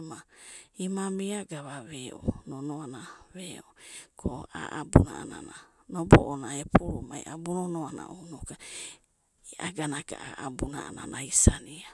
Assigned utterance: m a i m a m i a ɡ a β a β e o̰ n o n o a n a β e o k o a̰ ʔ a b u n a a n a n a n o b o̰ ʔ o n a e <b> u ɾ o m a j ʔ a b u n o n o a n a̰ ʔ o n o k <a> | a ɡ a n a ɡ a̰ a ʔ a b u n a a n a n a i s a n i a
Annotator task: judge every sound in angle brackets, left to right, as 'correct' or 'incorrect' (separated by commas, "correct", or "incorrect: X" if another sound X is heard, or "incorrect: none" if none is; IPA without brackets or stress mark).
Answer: incorrect: p, correct